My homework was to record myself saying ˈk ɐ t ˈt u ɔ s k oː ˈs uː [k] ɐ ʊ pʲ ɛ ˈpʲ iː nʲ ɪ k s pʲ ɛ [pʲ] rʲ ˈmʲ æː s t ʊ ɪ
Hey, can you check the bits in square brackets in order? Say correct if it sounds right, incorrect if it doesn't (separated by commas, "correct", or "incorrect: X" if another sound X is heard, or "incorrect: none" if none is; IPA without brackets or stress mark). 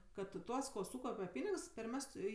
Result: correct, incorrect: none